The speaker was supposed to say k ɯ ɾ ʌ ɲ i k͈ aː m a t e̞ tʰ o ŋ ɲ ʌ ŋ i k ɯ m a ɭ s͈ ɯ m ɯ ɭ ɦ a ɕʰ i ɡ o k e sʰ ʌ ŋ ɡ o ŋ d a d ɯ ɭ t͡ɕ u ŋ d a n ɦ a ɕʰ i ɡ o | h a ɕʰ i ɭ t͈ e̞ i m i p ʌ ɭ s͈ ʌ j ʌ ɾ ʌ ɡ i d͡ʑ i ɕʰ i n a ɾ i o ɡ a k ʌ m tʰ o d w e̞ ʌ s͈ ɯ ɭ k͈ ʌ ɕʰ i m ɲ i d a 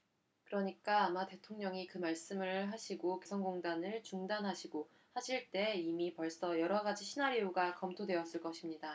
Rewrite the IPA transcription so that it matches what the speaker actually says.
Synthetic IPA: k ɯ ɾ ʌ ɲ i k͈ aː m a t e̞ tʰ o ŋ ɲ ʌ ŋ i k ɯ m a ɭ s͈ ɯ m ɯ ɭ ɦ a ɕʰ i ɡ o k e sʰ ʌ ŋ ɡ o ŋ d a n ɯ ɭ t͡ɕ u ŋ d a n ɦ a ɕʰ i ɡ o | h a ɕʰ i ɭ t͈ e̞ i m i p ʌ ɭ s͈ ʌ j ʌ ɾ ʌ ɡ a d͡ʑ i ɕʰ i n a ɾ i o ɡ a k ʌ m tʰ o d w e̞ ʌ s͈ ɯ ɭ k͈ ʌ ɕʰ i m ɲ i d a